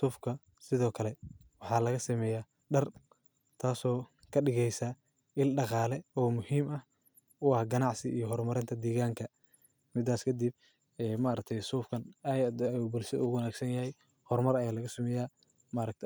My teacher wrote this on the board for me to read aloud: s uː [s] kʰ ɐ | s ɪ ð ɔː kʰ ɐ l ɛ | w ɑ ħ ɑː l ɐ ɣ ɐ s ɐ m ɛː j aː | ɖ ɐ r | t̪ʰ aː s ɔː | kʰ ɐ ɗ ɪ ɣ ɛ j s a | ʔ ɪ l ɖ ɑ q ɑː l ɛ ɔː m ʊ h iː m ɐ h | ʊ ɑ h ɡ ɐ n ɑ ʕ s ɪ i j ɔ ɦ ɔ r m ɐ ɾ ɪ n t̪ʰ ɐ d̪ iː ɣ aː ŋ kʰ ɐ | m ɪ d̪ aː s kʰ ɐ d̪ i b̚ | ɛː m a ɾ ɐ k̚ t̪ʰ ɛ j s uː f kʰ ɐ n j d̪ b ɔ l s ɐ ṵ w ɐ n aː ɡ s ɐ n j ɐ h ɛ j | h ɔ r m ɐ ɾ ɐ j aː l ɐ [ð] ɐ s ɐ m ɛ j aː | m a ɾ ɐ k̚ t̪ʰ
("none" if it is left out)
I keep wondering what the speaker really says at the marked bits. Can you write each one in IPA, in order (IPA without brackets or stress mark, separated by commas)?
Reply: f, ɣ